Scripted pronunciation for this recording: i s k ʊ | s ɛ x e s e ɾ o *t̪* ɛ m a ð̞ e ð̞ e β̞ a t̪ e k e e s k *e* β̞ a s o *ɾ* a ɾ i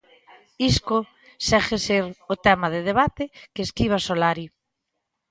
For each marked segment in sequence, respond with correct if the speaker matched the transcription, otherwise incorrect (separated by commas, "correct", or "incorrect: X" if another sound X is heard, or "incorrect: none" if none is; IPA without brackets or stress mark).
correct, incorrect: i, incorrect: l